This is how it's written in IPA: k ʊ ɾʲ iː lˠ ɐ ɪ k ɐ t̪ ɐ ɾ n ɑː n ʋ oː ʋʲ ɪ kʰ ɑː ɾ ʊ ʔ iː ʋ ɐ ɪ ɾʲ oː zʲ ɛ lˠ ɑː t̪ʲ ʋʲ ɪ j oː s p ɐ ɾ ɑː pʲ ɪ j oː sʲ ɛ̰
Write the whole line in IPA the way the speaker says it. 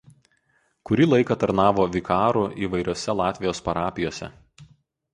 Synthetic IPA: k ʊ ɾʲ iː lˠ ɐ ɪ k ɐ t̪ ɐ ɾ n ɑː ʋ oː ʋʲ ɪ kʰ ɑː ɾ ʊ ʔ iː ʋ ɐ ɪ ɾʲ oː sʲ ɛ lˠ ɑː t̪ʲ ʋʲ ɪ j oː s p ɐ ɾ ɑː pʲ ɪ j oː sʲ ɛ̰